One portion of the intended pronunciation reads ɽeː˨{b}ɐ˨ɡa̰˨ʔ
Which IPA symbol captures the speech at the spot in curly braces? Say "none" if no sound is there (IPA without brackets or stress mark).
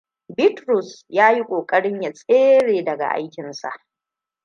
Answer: d